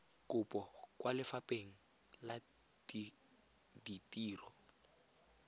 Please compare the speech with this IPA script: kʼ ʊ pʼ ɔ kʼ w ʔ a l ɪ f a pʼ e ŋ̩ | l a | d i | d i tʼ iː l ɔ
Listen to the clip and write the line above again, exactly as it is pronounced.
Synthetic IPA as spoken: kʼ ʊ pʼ ɔ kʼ w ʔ a l ɪ f a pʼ e ŋ̩ | l a | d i | d i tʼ iː r ɔ